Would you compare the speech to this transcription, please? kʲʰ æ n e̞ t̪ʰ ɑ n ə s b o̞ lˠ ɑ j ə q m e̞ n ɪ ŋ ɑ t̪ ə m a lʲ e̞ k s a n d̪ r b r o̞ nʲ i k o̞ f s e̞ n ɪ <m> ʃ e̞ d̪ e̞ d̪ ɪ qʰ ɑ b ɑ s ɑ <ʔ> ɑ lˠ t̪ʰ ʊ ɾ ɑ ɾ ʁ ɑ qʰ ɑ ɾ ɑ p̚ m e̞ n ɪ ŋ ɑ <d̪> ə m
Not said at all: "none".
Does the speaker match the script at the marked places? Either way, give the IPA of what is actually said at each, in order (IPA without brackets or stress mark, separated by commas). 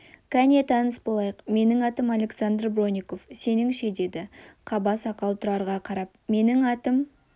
ŋ, q, t̪